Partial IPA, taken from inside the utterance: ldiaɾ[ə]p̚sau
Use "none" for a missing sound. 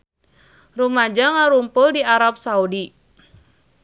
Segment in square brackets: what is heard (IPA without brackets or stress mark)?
a